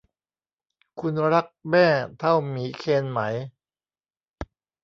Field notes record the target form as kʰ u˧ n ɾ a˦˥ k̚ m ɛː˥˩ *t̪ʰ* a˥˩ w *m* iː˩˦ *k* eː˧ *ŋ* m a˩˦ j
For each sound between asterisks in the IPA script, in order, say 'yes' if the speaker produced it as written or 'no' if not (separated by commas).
yes, yes, no, no